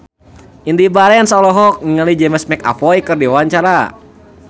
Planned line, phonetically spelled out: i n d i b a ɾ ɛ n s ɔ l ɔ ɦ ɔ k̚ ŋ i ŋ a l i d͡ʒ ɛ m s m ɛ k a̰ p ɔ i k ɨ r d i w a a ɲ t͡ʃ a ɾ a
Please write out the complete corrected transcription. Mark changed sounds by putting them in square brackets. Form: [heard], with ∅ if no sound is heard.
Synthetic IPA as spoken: i n d i b a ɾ ɛ n s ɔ l ɔ ɦ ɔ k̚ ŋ i ŋ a l i d͡ʒ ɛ m s m ɛ k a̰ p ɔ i k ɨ r d i w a a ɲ t͡ʃ a ɾ a